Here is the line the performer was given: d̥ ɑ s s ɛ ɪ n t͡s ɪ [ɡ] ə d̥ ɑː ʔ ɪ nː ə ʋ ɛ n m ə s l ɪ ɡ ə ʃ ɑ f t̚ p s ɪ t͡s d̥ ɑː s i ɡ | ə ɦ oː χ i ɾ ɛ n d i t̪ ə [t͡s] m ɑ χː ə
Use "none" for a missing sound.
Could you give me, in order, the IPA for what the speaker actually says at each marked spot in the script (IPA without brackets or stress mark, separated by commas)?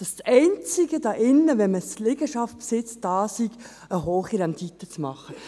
ɡ, t͡s